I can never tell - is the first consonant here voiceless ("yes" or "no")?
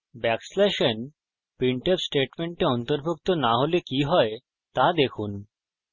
no